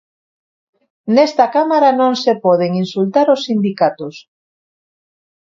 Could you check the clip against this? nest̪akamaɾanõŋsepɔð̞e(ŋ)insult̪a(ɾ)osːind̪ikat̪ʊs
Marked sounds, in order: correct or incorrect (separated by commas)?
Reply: correct, correct